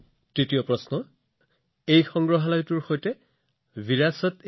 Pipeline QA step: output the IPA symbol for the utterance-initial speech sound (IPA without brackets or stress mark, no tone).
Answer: t